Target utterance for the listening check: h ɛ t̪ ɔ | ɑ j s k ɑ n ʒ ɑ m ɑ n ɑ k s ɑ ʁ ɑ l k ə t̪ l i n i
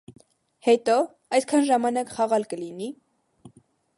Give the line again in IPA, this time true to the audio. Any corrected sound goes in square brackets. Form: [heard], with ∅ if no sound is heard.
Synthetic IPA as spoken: h ɛ t̪ ɔ | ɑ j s [kʰ] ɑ n ʒ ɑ m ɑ n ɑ k [χ] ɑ ʁ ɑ l k ə [∅] l i n i